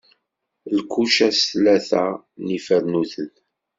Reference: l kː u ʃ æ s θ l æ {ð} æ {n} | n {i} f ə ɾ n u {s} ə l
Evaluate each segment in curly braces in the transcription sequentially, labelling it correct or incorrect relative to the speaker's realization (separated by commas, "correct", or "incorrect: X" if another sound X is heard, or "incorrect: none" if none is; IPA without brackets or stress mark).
incorrect: θ, incorrect: none, correct, incorrect: θ